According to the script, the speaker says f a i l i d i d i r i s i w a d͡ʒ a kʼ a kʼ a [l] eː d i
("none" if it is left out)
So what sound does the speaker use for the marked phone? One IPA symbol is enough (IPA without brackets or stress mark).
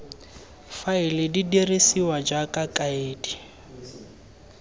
none